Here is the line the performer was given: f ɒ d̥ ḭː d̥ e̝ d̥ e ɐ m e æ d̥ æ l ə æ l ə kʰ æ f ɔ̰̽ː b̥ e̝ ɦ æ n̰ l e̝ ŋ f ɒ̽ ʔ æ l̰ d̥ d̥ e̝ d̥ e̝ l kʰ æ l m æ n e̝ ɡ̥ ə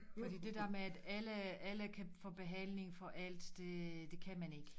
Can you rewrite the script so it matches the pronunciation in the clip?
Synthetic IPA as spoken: f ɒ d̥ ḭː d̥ e̝ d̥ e ɐ m e æ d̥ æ l ə æ l ə kʰ æ f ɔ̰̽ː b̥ e̝ ɦ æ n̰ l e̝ ŋ f ɒ̽ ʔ æ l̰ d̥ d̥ e̝ d̥ e̝ kʰ æ m æ n e̝ ɡ̥ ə